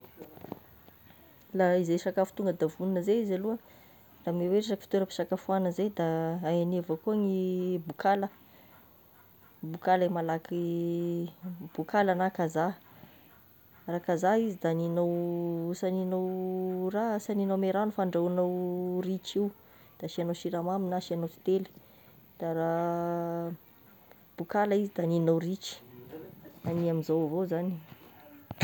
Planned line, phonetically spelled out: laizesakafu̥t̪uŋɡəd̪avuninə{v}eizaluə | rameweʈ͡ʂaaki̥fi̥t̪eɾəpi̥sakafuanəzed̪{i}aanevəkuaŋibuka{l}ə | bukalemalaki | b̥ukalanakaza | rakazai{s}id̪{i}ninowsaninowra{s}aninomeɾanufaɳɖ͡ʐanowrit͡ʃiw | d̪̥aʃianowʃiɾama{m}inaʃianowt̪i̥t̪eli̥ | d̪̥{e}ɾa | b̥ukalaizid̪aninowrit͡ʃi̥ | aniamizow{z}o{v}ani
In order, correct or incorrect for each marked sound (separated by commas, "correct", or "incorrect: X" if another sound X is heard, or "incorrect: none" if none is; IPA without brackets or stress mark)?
incorrect: z, incorrect: a, correct, incorrect: z, incorrect: a, correct, correct, incorrect: a, incorrect: v, incorrect: z